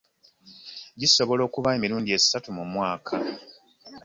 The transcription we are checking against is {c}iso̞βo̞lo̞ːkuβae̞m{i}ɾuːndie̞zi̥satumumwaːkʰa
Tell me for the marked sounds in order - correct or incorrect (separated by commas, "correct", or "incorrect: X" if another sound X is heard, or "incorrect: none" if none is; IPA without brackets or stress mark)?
incorrect: ɟ, correct